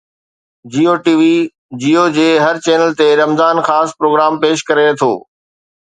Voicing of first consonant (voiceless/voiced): voiced